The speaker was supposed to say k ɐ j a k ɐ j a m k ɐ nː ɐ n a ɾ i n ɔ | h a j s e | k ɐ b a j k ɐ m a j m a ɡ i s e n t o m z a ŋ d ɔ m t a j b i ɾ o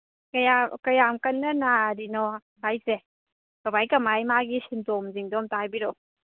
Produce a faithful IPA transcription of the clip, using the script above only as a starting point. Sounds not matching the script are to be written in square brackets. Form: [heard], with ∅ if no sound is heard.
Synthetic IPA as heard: k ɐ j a k ɐ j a m k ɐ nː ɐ n a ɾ i n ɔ | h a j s e | k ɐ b a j k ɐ m a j m a ɡ i s [i] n t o m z [i] ŋ d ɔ m t a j b i ɾ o